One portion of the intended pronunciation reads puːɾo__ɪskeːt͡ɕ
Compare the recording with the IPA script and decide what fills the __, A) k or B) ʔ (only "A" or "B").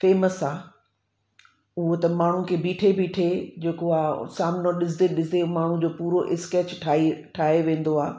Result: B